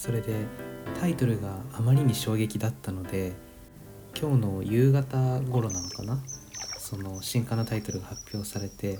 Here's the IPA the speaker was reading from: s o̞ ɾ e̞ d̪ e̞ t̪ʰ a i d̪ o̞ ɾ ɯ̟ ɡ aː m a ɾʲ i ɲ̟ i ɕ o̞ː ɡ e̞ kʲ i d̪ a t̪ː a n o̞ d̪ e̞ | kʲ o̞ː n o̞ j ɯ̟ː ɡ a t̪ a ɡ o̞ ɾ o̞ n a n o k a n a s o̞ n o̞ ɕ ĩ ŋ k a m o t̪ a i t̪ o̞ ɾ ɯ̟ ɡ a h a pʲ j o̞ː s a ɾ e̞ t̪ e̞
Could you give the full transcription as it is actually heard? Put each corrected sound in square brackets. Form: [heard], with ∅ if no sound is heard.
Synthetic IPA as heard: s o̞ ɾ e̞ d̪ e̞ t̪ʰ a i [t̪] o̞ ɾ ɯ̟ ɡ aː m a ɾʲ i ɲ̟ i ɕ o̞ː ɡ e̞ kʲ i d̪ a t̪ː a n o̞ d̪ e̞ | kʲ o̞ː n o̞ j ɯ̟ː ɡ a t̪ a ɡ o̞ ɾ o̞ n a n o k a n a s o̞ n o̞ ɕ ĩ ŋ k a [n] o t̪ a i t̪ o̞ ɾ ɯ̟ ɡ a h a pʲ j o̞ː s a ɾ e̞ t̪ e̞